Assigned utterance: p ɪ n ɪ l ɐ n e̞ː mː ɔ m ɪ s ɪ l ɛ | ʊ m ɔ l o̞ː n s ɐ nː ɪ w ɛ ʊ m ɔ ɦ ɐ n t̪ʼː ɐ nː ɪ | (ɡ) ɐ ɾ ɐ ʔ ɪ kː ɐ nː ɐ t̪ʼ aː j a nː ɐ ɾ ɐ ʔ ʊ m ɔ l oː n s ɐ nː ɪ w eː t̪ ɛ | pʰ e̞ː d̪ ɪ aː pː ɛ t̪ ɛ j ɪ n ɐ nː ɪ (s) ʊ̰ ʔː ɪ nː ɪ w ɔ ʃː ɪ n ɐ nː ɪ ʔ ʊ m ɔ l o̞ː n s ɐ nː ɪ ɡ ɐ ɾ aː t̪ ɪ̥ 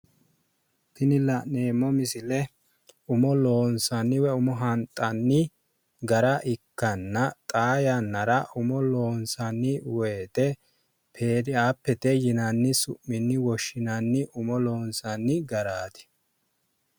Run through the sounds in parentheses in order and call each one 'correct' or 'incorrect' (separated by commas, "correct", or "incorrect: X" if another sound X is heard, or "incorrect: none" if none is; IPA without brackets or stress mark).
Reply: correct, correct